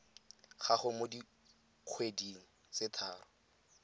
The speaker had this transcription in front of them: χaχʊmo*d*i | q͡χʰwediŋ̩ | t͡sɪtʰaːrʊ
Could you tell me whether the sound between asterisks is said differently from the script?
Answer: no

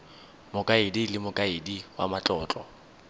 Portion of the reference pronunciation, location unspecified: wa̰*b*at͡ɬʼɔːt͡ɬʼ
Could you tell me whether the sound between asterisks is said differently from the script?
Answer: yes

